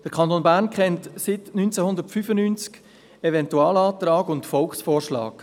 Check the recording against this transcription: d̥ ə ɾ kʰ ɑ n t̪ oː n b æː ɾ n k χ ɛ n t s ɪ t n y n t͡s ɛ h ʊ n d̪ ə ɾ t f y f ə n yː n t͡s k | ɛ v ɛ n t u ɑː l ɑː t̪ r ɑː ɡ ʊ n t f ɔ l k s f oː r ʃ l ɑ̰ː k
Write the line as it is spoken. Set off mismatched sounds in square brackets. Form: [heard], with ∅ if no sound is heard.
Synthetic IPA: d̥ ə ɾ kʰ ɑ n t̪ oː n b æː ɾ n k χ ɛ n t s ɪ t n y n t͡s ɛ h ʊ n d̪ ə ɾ t f y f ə n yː n t͡s k | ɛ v ɛ n t u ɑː l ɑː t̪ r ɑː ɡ ʊ n t f ɔ l k s f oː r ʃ l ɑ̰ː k